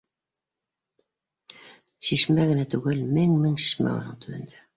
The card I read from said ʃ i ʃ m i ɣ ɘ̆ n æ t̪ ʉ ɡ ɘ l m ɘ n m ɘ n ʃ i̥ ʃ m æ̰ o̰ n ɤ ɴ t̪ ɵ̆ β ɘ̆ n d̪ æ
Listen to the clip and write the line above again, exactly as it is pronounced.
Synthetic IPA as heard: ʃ i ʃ m æ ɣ ɘ̆ n æ t̪ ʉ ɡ ɘ l m ɘ ŋ m ɘ ŋ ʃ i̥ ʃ m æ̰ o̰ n ɤ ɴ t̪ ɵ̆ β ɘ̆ n d̪ æ